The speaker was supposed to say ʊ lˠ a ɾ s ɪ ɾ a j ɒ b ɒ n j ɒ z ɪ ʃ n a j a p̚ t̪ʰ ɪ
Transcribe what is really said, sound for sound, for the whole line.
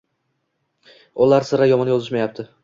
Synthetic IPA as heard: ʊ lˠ a ɾ s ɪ ɾ a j ɒ m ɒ n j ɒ z ɪ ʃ m a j a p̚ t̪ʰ ɪ